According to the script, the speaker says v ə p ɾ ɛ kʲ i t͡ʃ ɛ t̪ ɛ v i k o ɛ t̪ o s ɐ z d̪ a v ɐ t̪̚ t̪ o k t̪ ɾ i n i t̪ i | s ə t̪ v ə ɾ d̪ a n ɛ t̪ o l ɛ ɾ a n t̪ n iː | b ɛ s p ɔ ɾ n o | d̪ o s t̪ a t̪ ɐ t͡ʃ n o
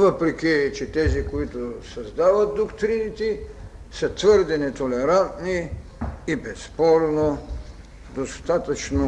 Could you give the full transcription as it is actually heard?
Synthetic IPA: v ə p ɾ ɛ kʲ i t͡ʃ ɛ t̪ ɛ z i k o i t̪ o s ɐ z d̪ a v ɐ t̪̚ d̪ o k t̪ ɾ i n i t̪ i | s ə t̪ v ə ɾ d̪ ɛ n ɛ t̪ o l ɛ ɾ a n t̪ n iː | b ɛ s p ɔ ɾ n o | d̪ o s t̪ a t̪ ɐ t͡ʃ n o